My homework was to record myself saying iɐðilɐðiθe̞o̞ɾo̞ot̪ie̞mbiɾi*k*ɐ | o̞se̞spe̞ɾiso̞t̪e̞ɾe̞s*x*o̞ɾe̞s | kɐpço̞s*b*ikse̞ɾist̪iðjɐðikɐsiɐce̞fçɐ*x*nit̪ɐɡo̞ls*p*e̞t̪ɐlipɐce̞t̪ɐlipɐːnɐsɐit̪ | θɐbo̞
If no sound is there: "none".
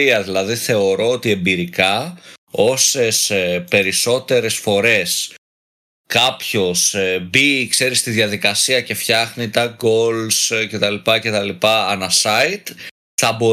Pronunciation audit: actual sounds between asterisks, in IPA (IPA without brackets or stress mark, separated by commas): k, f, b, x, c